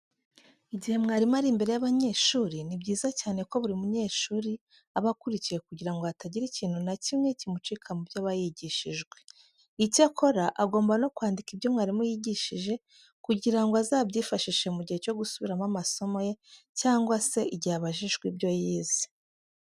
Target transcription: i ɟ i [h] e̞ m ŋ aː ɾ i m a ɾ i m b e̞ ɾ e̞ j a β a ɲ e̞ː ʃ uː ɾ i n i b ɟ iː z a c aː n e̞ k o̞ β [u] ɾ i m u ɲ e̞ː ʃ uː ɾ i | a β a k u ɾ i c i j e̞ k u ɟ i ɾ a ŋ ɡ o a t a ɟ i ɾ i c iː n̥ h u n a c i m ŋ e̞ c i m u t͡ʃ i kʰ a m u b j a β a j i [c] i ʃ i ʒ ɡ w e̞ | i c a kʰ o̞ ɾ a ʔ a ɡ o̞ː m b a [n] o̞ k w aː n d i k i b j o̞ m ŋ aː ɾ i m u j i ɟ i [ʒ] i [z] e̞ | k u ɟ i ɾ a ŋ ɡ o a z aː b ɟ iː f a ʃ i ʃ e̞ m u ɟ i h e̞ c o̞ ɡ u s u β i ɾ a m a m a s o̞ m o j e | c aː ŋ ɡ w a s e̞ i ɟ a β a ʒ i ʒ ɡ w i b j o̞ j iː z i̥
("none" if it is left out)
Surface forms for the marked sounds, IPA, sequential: h, u, ɟ, n, ʃ, ʒ

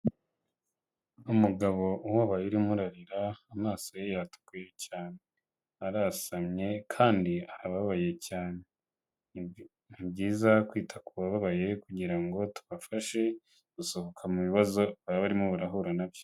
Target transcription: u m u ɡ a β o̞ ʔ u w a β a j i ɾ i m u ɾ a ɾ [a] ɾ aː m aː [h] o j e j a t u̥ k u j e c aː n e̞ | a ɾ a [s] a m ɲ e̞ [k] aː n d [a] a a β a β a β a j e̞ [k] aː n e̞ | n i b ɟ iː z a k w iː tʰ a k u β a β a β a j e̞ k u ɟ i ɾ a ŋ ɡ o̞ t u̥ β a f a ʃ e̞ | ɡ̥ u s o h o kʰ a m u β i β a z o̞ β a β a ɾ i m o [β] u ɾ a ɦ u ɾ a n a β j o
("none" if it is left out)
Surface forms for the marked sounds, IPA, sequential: i, s, s, kʰ, i, c, β

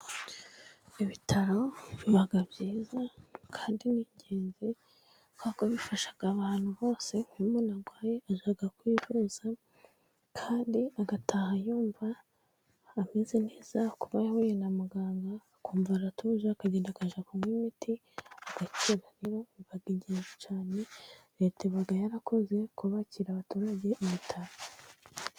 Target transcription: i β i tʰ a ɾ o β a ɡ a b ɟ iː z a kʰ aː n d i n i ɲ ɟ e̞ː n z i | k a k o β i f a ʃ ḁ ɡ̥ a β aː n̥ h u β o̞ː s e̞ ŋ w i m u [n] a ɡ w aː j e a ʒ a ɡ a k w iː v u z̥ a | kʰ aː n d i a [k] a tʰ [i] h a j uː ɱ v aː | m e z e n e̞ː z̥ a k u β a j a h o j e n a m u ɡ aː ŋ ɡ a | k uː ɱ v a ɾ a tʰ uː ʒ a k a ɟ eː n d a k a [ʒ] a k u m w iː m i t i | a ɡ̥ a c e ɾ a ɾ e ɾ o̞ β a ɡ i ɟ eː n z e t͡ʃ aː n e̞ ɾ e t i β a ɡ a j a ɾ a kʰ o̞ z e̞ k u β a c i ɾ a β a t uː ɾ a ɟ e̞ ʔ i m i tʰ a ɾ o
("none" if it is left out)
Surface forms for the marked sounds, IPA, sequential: n, ɡ, a, ʒ

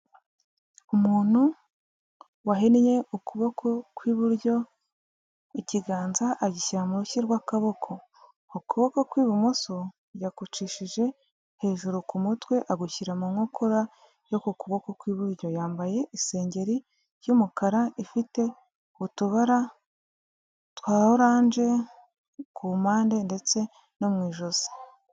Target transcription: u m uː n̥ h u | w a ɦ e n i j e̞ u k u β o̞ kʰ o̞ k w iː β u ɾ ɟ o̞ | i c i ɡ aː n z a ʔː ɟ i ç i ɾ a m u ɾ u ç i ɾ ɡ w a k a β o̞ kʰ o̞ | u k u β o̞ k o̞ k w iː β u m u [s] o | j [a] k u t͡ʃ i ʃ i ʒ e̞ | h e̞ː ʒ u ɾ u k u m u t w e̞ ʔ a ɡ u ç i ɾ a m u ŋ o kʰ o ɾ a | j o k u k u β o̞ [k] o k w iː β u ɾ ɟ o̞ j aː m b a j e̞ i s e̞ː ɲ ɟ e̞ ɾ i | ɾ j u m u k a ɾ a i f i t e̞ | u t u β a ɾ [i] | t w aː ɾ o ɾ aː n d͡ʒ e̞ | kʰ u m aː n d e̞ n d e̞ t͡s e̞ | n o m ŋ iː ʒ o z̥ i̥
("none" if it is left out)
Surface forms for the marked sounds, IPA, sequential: s, a, k, a

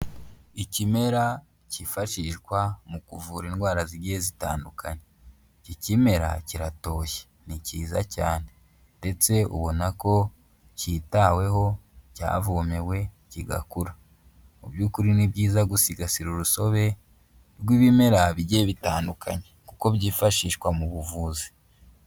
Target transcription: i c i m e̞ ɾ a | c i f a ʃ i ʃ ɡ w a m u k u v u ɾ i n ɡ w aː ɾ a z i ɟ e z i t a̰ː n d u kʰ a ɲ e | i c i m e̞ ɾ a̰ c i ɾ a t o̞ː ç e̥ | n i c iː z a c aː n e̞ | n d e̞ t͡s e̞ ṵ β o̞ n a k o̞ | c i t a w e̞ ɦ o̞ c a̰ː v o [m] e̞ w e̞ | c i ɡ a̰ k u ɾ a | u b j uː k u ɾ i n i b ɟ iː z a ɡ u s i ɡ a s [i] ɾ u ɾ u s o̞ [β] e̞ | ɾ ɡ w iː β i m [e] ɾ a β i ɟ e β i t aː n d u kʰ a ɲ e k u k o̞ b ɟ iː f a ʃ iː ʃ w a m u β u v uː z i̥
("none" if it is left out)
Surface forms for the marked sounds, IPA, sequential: m, i, β, e

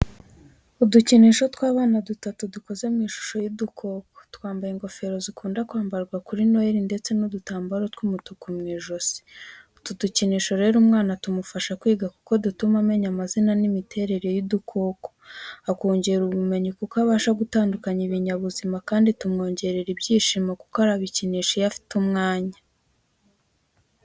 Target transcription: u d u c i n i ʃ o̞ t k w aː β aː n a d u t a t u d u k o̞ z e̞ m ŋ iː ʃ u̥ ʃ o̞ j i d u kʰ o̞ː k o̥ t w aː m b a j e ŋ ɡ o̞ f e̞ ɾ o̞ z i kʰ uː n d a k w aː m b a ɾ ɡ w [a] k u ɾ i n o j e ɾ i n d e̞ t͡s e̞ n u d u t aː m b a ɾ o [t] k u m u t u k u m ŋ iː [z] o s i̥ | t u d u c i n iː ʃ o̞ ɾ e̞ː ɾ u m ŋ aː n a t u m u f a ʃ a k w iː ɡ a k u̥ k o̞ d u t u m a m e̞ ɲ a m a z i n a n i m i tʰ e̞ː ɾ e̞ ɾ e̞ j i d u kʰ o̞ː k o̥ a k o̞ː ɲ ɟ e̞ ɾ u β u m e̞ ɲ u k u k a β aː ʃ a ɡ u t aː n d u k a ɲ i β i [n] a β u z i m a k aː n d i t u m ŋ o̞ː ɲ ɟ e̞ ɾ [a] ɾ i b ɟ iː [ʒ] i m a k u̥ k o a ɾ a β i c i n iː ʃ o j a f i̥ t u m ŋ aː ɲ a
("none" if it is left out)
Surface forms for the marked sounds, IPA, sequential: a, t, ʒ, ɲ, e, ʃ

